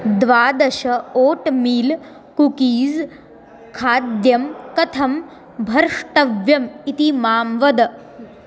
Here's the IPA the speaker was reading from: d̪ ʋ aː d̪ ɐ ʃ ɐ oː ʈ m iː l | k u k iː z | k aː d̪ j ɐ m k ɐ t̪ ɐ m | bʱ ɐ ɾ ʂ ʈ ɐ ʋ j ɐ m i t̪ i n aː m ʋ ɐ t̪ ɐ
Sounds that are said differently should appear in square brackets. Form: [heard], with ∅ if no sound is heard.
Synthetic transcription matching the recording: d̪ ʋ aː d̪ ɐ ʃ ɐ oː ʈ m iː l | k u k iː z | [kʰ] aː d̪ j ɐ m k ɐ [t̪ʰ] ɐ m | bʱ ɐ ɾ ʂ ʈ ɐ ʋ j ɐ m i t̪ i [m] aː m ʋ ɐ [d̪] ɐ